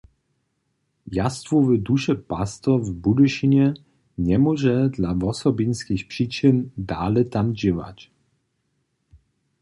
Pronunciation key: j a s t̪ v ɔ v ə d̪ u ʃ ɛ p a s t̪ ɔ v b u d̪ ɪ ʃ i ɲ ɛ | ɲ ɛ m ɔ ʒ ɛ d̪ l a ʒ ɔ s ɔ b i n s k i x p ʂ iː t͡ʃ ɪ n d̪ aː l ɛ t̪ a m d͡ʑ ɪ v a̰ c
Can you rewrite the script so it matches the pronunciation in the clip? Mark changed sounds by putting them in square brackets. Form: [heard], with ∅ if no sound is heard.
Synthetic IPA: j a s t̪ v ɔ v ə d̪ u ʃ ɛ p a s t̪ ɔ v b u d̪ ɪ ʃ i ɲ ɛ | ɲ ɛ m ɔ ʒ ɛ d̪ l a [v] ɔ s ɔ b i n s k i x p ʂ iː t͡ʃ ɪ n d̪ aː l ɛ t̪ a m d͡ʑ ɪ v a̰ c